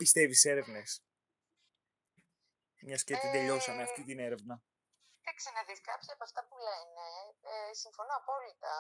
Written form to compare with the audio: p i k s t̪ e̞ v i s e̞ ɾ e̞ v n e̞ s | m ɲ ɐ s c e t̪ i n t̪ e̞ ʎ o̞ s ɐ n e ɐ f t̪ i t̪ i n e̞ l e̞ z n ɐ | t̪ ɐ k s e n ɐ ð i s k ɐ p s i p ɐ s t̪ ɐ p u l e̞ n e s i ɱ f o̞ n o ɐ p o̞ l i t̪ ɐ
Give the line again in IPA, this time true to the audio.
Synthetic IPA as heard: p i s t̪ e̞ v i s e̞ ɾ e̞ v n e̞ s | m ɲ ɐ s c e t̪ i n d̪ e̞ ʎ o̞ s ɐ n e ɐ f t̪ i t̪ i n e̞ ɾ e̞ v n ɐ | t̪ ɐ k s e n ɐ ð i s k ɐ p s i p ɐ f t̪ ɐ p u l e̞ n e s i ɱ f o̞ n o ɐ p o̞ l i t̪ ɐ